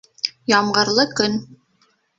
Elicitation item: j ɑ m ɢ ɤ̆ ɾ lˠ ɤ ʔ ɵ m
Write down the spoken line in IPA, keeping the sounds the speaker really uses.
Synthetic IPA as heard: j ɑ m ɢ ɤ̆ ɾ lˠ ɤ k ɵ n